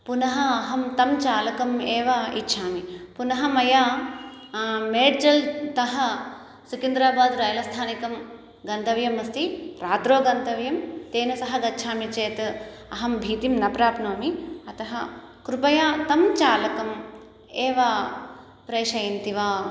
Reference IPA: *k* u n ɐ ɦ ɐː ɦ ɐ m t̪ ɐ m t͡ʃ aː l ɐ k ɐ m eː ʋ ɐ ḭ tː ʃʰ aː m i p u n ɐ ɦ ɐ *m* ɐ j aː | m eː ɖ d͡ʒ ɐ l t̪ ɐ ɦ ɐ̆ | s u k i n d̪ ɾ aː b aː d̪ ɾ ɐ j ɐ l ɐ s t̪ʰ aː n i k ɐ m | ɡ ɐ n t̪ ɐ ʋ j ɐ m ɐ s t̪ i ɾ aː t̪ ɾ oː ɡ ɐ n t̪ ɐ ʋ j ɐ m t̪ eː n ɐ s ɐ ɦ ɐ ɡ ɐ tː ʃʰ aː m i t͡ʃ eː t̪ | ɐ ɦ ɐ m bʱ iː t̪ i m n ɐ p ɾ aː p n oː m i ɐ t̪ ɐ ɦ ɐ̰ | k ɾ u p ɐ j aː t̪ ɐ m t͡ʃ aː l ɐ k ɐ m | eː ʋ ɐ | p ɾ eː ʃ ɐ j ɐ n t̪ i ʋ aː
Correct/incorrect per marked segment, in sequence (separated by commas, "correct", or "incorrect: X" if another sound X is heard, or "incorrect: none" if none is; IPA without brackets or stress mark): incorrect: p, correct